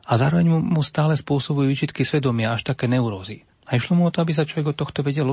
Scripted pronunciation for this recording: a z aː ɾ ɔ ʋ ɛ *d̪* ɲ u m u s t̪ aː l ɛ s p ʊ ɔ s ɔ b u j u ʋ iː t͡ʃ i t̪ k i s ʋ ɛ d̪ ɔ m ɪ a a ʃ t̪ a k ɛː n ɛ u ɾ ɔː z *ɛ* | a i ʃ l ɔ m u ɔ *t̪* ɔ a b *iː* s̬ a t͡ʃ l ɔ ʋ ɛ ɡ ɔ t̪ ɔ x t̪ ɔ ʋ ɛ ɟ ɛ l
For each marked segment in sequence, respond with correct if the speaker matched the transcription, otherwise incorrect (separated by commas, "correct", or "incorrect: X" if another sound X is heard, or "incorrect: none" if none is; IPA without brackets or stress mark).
incorrect: none, incorrect: i, correct, incorrect: i